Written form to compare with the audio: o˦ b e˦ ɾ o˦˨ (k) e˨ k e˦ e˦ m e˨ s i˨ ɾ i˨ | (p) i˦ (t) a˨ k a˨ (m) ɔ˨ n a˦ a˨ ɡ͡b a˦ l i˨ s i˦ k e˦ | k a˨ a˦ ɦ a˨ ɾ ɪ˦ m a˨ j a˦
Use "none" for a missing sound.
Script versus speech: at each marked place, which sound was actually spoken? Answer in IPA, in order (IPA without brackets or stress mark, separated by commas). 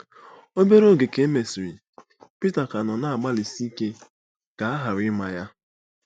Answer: ɡ, p, t, n